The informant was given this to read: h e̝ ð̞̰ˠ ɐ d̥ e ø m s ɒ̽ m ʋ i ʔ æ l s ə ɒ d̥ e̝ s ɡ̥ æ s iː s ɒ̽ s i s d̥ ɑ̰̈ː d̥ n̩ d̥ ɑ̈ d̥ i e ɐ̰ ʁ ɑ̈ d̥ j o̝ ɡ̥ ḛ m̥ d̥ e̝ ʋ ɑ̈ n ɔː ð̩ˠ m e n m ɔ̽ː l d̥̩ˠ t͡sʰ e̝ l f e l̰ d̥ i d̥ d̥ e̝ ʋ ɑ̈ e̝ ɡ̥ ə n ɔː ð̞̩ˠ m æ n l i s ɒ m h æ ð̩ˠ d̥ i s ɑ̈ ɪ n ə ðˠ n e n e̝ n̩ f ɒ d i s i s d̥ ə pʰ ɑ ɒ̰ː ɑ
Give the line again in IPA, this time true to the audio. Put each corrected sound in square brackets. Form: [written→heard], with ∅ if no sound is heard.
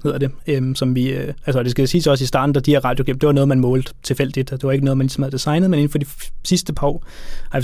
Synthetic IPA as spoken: h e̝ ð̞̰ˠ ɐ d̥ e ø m s ɒ̽ m ʋ i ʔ æ l s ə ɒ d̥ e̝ s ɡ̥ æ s iː s ɒ̽ s i s d̥ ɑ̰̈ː d̥ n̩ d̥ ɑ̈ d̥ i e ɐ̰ ʁ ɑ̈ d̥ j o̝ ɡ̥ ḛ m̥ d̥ e̝ ʋ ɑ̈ n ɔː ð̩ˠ m [e→æ] n m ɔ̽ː l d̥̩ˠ t͡sʰ e̝ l f e l̰ d̥ i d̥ d̥ e̝ ʋ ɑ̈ e̝ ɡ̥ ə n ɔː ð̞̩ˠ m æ n l i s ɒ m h æ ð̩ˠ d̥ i s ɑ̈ ɪ n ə ðˠ [n→m] e n e̝ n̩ f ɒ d i s i s d̥ ə pʰ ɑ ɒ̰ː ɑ